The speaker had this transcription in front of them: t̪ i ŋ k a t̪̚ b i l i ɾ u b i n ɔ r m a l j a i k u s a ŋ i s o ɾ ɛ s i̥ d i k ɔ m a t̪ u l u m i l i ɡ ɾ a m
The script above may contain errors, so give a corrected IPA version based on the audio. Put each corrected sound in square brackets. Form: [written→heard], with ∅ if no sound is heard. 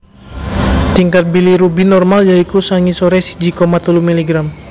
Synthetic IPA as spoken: t̪ i ŋ k a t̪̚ b i l i ɾ u b i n ɔ r m a l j a i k u s a ŋ i s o ɾ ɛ s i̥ [d→d͡ʒ] i k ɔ m a t̪ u l u m i l i ɡ ɾ a m